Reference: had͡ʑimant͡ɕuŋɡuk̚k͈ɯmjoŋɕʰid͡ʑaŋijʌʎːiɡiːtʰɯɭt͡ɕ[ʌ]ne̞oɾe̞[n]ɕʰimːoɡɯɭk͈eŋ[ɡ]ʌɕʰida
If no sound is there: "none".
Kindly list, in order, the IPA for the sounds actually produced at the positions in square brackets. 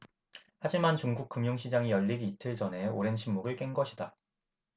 ʌ, n, ɡ

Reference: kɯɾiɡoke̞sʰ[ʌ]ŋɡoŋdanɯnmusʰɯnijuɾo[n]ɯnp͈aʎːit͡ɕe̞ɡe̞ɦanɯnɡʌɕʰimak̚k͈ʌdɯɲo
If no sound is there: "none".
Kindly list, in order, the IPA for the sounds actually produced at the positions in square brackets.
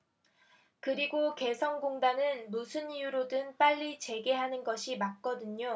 ʌ, d

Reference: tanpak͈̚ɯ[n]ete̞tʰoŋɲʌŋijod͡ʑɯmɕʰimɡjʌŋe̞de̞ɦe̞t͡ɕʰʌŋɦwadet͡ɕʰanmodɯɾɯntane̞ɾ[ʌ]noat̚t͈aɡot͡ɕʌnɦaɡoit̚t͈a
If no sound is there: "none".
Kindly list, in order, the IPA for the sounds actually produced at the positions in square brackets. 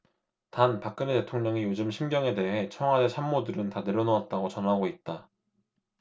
n, ʌ

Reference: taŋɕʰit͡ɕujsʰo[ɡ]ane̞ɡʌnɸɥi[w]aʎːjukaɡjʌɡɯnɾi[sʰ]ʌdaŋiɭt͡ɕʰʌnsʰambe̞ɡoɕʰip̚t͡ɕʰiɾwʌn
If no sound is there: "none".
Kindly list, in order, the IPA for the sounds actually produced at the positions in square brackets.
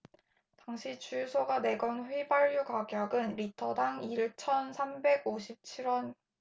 ɡ, b, tʰ

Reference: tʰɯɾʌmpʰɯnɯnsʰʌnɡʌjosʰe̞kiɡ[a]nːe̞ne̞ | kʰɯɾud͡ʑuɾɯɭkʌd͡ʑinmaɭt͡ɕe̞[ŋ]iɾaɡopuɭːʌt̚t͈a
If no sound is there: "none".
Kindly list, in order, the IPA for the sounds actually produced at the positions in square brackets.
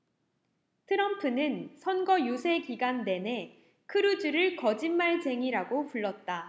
a, ŋ

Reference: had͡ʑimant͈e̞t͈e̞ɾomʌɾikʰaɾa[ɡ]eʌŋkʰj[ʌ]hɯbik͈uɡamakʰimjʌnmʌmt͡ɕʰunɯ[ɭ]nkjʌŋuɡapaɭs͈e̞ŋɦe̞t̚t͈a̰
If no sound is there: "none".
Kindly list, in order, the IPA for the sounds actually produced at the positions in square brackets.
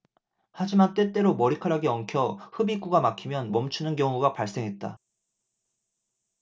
ɡ, ʌ, none

